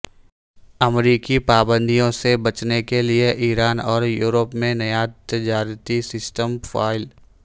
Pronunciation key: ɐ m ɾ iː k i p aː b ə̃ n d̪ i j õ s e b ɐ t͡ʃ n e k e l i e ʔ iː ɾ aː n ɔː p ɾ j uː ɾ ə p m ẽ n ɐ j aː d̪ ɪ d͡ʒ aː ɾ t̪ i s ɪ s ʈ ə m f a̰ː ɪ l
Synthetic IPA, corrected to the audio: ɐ m ɾ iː k i p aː b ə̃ n d̪ i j õ s e b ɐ t͡ʃ n e k e l i e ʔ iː ɾ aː n ɔː ɾ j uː ɾ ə p m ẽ n ɐ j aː t̪ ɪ d͡ʒ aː ɾ t̪ i s ɪ s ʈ ə m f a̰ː ɪ l